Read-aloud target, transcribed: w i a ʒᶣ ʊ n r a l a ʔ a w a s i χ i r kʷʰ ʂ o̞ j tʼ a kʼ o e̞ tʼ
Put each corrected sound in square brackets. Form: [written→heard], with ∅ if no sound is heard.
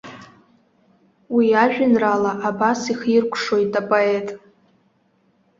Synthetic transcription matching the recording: w i a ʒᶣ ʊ n r a l a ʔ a [w→b] a s i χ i r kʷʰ ʂ o̞ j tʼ a [kʼ→pʼ] o e̞ tʼ